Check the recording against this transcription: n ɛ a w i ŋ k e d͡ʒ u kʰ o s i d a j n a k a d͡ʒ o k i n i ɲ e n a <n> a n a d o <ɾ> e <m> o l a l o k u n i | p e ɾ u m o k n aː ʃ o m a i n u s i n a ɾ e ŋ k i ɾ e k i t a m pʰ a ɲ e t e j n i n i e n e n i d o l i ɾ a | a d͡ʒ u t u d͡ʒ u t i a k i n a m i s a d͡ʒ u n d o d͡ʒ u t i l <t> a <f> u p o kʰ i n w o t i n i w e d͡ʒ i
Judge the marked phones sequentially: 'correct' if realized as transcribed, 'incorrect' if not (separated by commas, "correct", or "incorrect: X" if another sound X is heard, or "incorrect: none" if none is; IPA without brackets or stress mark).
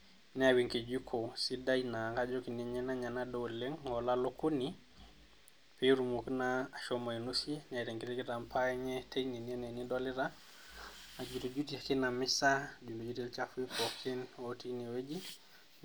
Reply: incorrect: ɲ, incorrect: l, incorrect: ŋ, incorrect: t͡ʃ, correct